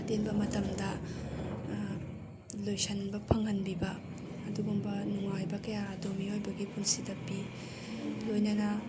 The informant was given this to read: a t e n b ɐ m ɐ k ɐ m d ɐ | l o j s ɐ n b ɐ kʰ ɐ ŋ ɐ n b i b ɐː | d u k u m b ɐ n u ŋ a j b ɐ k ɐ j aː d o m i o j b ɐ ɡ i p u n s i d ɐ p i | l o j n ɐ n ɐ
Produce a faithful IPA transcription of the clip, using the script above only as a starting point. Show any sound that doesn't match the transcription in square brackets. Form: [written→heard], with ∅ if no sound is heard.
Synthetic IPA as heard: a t e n b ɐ m ɐ [k→t] ɐ m d ɐ | l o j s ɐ n b ɐ [kʰ→pʰ] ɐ ŋ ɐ n b i b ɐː | d u [k→ɡ] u m b ɐ n u ŋ a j b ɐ k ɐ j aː d o m i o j b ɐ ɡ i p u n s i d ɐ p i | l o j n ɐ n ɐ